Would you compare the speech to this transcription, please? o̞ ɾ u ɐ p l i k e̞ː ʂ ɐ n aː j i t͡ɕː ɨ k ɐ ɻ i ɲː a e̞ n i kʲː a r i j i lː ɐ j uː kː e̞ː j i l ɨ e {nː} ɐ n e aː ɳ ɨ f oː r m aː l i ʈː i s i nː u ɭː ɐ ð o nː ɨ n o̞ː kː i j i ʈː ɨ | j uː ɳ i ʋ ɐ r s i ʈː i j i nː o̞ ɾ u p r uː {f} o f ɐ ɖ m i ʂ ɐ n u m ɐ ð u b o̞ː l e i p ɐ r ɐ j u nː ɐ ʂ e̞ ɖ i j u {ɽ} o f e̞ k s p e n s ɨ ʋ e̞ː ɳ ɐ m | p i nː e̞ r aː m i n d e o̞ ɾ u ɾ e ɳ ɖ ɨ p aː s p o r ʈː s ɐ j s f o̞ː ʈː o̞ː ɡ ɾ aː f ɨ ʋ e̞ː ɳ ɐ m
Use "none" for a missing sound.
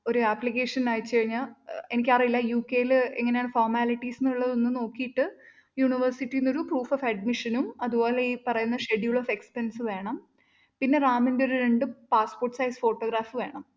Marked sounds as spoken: ŋː, f, ɭ

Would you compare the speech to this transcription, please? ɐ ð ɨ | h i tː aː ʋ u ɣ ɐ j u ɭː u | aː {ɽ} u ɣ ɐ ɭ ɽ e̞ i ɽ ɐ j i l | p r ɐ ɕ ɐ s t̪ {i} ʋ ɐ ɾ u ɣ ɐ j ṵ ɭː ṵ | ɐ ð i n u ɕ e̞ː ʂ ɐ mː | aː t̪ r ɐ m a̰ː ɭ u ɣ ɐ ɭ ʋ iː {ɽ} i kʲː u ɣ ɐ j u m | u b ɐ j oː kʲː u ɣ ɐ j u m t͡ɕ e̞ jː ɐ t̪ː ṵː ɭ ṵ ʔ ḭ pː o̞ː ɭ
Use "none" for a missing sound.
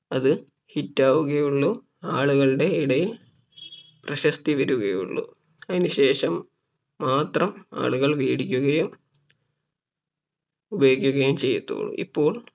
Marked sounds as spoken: ɭ, i, ɽ

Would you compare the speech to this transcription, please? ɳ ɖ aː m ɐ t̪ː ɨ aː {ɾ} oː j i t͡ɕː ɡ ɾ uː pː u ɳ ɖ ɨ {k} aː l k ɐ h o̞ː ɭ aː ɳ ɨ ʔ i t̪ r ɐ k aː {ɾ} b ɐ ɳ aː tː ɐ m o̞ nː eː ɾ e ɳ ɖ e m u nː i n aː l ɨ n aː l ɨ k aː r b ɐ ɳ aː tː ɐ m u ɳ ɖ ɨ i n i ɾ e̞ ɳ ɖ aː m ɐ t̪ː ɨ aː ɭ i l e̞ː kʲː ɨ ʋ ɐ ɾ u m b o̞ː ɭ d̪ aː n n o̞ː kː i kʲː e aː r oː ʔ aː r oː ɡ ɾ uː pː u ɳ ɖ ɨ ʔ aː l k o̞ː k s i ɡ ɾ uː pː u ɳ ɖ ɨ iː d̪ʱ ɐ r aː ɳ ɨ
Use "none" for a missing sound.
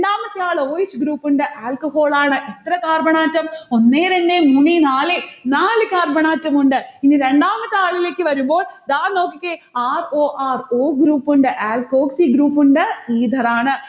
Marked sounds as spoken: ɭ, ʔ, r

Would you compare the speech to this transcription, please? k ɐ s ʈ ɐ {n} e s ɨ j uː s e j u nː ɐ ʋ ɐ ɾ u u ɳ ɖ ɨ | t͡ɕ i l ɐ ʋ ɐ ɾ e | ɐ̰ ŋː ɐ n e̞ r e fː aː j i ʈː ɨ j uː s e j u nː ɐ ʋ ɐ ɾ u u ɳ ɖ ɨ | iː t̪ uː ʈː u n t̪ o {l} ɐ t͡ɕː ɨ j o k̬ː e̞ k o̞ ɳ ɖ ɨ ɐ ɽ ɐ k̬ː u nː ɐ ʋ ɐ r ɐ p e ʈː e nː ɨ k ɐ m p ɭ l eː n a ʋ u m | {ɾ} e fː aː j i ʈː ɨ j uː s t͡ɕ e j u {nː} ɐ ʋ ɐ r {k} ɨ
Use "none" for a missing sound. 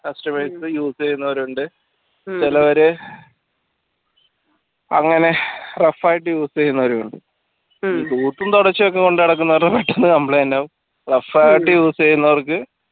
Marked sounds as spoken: m, ɽ, r, nː, k

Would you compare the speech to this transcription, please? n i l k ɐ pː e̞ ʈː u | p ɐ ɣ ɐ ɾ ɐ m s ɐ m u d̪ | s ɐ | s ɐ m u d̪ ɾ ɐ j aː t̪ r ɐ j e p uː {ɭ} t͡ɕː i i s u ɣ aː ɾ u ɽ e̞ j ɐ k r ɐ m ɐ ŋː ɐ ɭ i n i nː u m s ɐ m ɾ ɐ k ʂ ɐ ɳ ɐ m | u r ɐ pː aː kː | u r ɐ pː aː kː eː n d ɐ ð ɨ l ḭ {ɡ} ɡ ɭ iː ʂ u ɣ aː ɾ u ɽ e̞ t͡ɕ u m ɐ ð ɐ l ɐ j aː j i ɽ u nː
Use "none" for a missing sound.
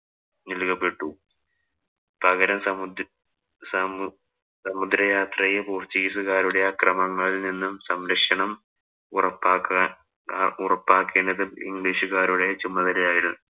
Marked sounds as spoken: r, ŋ

